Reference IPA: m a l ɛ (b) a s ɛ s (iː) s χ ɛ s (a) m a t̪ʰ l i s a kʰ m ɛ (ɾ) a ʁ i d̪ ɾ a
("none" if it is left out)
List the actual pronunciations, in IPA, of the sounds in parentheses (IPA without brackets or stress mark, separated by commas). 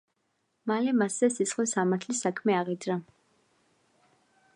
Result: m, i, a, none